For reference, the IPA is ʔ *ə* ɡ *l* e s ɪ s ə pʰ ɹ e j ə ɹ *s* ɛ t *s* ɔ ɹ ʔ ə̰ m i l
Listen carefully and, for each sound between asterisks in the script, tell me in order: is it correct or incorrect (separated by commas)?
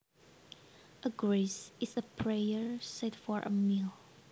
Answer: correct, incorrect, correct, incorrect